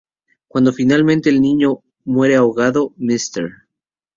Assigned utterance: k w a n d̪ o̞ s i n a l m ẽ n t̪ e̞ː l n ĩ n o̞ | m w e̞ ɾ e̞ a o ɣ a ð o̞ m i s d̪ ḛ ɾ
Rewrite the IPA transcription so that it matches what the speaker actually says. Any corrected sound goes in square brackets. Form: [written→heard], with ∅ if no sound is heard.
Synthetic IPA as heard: k w a n d̪ o̞ [s→f] i n a l m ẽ n t̪ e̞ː l n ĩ [n→ɲ] o̞ | m w e̞ ɾ e̞ a o ɣ a ð o̞ m i s [d̪→t̪] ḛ ɾ

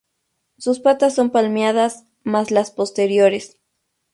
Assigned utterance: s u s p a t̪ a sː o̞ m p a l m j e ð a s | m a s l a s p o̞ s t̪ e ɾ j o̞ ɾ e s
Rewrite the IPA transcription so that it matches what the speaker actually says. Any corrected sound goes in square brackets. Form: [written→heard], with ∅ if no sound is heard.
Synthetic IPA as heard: s u s p a t̪ a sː o̞ m p a l m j [e→a] ð a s | m a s l a s p o̞ s t̪ e ɾ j o̞ ɾ e s

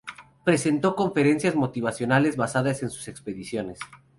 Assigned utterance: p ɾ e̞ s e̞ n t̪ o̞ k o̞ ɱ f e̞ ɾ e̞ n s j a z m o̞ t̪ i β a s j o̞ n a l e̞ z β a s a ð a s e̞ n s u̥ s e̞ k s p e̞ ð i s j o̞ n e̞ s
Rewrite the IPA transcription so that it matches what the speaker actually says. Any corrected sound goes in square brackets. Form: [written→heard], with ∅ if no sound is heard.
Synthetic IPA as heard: p ɾ e̞ s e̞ n t̪ o̞ k o̞ ɱ f e̞ ɾ e̞ n s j a z m o̞ t̪ i β a s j o̞ n a l e̞ z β a s a ð a s e̞ n s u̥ s e̞ k s p e̞ ð i s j o̞ n e̞ s

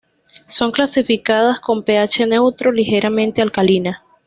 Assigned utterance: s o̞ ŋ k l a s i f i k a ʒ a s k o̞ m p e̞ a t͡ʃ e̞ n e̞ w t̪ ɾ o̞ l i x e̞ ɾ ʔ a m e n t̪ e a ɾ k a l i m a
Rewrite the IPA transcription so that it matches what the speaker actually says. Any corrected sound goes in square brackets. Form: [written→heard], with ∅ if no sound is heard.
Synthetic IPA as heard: s o̞ ŋ k l a s i f i k a [ʒ→ð] a s k o̞ m p e̞ a t͡ʃ e̞ n e̞ w t̪ ɾ o̞ l i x e̞ ɾ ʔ a m [e→ẽ] n t̪ e a [ɾ→l] k a l i [m→n] a

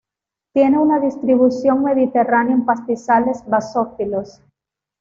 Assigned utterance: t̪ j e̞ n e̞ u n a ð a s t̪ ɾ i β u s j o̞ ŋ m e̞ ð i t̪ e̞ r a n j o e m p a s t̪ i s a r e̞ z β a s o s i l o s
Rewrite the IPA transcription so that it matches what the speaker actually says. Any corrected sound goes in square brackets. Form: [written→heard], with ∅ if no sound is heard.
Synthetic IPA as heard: t̪ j e̞ n e̞ u n a ð [a→i] s t̪ ɾ i β u s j o̞ ŋ m e̞ ð i t̪ e̞ r a n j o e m p a s t̪ i s a [r→l] e̞ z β a s o [s→f] i l o s

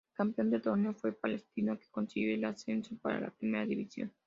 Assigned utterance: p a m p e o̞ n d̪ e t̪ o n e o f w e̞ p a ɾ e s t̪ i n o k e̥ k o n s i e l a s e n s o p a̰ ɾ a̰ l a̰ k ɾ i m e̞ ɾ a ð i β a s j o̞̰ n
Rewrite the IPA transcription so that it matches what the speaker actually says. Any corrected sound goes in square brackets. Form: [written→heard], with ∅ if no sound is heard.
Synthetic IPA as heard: [p→k] a m p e o̞ n d̪ e t̪ o n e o f w e̞ p a [ɾ→l] e s t̪ i n o k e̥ k o n s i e l a s e n s o p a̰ ɾ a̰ l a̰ [k→p] ɾ i m e̞ ɾ a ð i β [a→i] s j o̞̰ n

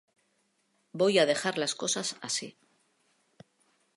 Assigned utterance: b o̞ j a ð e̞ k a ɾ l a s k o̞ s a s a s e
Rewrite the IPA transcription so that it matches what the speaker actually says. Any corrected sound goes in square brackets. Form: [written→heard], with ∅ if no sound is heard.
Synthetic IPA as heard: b o̞ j a ð e̞ [k→x] a ɾ l a s k o̞ s a s a s [e→i]

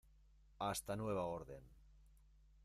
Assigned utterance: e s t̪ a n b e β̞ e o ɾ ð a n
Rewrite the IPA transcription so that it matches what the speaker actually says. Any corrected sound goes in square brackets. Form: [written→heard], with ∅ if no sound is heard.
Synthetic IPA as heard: [e→a] s t̪ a n [b→w] e β̞ [e→a] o ɾ ð [a→e] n

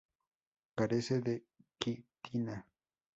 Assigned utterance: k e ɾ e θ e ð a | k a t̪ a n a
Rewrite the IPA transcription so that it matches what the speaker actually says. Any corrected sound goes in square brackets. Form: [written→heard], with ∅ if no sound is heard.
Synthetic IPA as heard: k [e→a] ɾ e [θ→s] e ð [a→e] | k [a→i] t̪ [a→i] n a

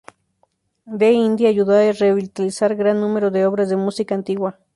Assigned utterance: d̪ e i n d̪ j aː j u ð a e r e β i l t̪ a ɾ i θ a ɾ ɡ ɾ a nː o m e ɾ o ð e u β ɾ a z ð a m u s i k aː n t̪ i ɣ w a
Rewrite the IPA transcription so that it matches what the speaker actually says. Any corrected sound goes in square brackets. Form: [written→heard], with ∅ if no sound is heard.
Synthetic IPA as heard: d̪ e i n d̪ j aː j u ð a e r e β i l t̪ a [ɾ→l] i [θ→s] a ɾ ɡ ɾ a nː [o→u] m e ɾ o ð e [u→o] β ɾ a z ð [a→e] m u s i k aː n t̪ i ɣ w a

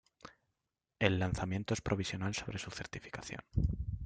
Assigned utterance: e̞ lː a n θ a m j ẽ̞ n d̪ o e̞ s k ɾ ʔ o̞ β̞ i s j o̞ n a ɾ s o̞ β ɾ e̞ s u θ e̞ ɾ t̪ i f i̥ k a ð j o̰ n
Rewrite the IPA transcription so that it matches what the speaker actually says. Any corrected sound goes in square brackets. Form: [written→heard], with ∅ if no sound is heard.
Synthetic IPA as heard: e̞ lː a n θ a m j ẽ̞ n [d̪→t̪] o e̞ s [k→p] ɾ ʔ o̞ β̞ i s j o̞ n a [ɾ→l] s o̞ β ɾ e̞ s u θ e̞ ɾ t̪ i f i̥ k a [ð→θ] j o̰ n

